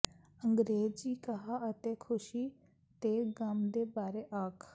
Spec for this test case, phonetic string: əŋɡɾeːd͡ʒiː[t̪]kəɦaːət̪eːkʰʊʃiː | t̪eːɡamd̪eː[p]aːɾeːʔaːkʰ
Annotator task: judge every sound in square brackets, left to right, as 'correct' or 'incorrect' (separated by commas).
incorrect, incorrect